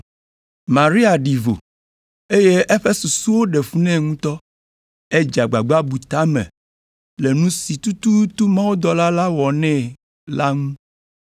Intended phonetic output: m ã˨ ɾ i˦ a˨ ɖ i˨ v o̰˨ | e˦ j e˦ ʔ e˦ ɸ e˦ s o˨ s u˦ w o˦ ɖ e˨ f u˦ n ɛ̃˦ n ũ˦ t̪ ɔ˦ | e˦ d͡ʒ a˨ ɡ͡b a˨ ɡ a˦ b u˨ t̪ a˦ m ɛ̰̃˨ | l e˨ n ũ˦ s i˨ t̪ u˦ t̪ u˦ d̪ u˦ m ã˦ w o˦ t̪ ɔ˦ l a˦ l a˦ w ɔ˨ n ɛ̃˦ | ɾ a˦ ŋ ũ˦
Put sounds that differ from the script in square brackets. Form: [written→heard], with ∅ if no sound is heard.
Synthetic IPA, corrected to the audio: m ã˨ ɾ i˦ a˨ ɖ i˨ v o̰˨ | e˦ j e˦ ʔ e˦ ɸ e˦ s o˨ s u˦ w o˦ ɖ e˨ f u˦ n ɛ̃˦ [n→ŋ] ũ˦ t̪ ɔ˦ | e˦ d͡ʒ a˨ ɡ͡b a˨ [ɡ→ɡ͡b] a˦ b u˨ t̪ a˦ m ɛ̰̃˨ | l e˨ n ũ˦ s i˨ t̪ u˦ t̪ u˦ [d̪→t̪] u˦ m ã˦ w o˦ [t̪→d̪] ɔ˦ l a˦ l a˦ w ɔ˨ n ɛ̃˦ | [ɾ→l] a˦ ŋ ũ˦